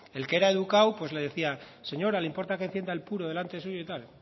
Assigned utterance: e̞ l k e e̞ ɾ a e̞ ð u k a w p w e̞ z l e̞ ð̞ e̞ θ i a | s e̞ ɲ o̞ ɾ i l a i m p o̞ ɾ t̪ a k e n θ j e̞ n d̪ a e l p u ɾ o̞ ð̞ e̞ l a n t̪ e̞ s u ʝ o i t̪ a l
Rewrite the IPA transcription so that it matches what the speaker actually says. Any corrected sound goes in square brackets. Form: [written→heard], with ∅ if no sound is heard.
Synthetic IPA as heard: e̞ l k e e̞ ɾ a e̞ ð u k a w p w e̞ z l e̞ ð̞ e̞ θ i a | s e̞ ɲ o̞ ɾ [i→a] l [a→e] i m p o̞ ɾ t̪ a k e n θ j e̞ n d̪ a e l p u ɾ o̞ ð̞ e̞ l a n t̪ e̞ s u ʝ o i t̪ a l

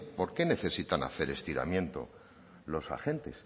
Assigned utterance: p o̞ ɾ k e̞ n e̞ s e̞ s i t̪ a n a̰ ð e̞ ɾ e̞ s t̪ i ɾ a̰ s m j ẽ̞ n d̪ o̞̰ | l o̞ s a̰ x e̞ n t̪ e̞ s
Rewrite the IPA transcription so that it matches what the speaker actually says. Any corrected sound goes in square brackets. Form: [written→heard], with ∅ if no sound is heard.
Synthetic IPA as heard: p o̞ ɾ k e̞ n e̞ [s→θ] e̞ s i t̪ a n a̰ [ð→θ] e̞ ɾ e̞ s t̪ i ɾ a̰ [s→∅] m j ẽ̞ n [d̪→t̪] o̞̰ | l o̞ s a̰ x e̞ n t̪ e̞ s

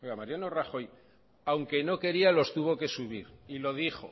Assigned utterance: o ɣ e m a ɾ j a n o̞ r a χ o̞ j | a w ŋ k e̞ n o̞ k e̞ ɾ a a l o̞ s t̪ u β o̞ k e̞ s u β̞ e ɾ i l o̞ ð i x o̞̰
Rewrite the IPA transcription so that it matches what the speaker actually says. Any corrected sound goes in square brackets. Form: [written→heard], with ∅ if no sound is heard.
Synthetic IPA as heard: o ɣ [e→a] m a ɾ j a n o̞ r a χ o̞ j | a w ŋ k e̞ n o̞ k e̞ ɾ [a→i] a l o̞ s t̪ u β o̞ k e̞ s u β̞ [e→i] ɾ i l o̞ ð i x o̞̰

